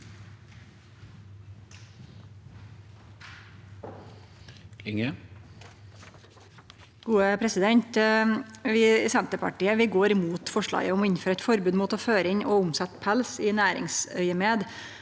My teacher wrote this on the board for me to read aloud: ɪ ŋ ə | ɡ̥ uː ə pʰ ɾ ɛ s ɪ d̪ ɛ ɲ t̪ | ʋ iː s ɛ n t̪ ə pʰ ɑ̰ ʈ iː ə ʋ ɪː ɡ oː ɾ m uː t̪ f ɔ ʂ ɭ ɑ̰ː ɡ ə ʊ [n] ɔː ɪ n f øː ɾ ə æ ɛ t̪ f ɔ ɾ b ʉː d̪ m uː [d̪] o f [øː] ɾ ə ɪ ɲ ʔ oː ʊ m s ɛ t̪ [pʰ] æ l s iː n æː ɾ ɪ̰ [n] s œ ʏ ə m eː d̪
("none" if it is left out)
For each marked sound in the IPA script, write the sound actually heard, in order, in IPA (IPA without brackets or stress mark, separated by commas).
m, t̪, øː, pʰ, ŋ